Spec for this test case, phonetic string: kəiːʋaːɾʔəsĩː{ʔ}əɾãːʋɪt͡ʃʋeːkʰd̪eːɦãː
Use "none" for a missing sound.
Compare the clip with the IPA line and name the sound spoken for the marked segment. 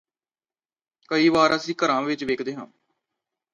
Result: k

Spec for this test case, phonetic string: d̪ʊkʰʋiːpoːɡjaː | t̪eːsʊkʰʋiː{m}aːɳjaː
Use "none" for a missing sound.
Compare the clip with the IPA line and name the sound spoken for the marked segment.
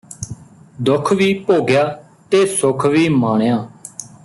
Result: m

